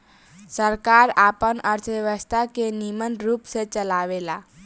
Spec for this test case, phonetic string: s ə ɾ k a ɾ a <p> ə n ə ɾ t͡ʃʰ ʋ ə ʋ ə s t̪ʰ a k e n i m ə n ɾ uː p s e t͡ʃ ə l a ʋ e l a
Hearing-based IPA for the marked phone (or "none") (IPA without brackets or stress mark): p